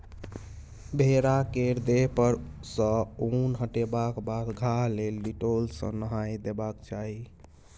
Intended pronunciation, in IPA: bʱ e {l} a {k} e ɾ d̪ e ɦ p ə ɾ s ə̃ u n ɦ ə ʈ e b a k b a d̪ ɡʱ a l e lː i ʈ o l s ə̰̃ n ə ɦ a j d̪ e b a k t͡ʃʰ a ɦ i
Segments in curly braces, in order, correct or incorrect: incorrect: ɾ, correct

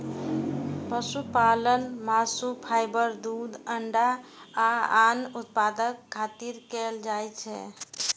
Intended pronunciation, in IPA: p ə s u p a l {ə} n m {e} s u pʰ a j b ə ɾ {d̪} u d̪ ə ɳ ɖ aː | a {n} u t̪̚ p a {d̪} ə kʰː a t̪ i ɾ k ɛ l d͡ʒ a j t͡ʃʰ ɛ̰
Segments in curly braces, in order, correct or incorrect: correct, incorrect: a, correct, correct, correct

